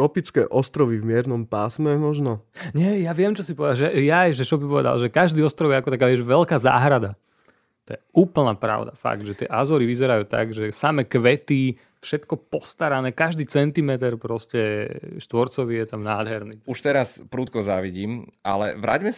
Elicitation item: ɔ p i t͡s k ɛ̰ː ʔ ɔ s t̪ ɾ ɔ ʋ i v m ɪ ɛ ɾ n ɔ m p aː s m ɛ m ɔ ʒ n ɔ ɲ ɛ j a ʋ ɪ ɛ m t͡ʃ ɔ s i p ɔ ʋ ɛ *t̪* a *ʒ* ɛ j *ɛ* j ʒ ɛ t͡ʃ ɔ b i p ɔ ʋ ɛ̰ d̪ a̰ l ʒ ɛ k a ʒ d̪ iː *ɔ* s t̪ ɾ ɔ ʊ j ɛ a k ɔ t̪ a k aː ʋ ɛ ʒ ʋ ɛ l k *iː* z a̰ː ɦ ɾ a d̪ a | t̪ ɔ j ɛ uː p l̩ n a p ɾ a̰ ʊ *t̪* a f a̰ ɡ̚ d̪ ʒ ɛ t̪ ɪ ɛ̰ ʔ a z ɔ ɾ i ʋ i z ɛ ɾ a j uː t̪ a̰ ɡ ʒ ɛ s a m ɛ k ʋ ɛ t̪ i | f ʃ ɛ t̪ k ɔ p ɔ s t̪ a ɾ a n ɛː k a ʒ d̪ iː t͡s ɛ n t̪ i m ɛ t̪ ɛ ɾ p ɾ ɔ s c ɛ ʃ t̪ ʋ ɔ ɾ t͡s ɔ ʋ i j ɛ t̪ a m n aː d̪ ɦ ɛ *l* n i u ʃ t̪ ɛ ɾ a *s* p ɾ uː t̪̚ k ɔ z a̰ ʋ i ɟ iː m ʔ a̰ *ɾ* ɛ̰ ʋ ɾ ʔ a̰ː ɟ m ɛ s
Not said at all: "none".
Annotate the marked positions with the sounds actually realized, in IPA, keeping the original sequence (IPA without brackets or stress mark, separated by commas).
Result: d̪, ʒ, a, ɔ, aː, d̪, ɾ, s, l